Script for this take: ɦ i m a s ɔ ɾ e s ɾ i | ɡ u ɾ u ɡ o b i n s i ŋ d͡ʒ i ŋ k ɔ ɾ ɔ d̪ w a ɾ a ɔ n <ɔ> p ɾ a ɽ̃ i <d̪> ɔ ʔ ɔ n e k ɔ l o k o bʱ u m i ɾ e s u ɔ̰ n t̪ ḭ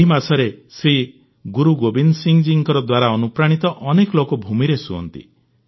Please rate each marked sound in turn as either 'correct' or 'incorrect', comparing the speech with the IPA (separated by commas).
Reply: incorrect, incorrect